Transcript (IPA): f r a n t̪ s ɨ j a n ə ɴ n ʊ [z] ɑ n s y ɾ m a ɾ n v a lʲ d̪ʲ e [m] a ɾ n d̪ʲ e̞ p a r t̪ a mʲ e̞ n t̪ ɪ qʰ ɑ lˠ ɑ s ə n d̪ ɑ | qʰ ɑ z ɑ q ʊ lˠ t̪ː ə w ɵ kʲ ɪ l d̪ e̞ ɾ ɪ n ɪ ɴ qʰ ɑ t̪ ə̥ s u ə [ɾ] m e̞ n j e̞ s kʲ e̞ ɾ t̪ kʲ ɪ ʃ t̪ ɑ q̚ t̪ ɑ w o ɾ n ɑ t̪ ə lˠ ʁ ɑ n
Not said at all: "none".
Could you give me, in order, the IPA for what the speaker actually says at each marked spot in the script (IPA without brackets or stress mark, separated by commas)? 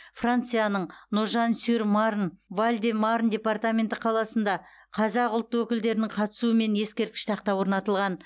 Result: ʒ, m, none